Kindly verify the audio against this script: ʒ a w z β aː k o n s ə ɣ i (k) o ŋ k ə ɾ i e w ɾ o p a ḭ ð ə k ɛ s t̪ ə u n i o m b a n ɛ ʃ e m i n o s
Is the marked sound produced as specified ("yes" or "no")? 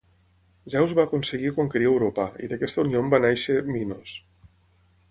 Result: yes